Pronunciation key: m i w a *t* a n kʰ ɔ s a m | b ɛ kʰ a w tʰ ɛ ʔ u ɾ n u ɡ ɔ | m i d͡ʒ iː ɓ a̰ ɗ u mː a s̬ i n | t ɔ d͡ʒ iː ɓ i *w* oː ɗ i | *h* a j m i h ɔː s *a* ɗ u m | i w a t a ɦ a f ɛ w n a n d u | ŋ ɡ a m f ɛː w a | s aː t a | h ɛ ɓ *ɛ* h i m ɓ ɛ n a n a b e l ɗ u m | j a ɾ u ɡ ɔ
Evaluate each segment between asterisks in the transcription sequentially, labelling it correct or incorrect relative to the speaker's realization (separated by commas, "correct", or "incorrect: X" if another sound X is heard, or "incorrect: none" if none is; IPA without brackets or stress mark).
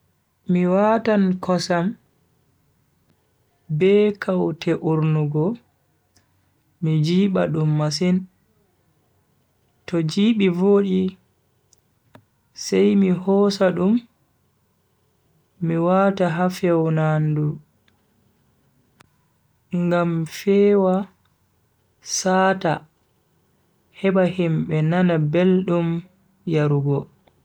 correct, incorrect: v, incorrect: s, correct, incorrect: a